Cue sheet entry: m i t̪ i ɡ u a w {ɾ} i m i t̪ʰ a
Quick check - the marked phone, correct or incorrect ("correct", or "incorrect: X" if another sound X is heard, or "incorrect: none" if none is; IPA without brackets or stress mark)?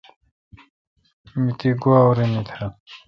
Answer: correct